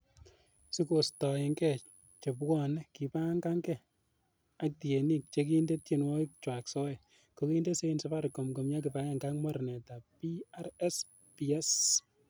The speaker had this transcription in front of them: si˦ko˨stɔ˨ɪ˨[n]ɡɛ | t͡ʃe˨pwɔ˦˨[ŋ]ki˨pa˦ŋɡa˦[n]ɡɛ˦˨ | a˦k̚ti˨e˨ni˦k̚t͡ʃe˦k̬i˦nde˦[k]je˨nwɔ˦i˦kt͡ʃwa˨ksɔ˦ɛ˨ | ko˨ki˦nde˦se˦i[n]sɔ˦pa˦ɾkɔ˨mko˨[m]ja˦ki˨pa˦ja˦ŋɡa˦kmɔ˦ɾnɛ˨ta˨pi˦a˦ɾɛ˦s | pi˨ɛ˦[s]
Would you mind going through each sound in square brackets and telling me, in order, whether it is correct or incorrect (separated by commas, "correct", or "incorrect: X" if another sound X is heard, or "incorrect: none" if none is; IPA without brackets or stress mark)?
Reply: incorrect: ŋ, incorrect: n, incorrect: ŋ, incorrect: t, correct, correct, correct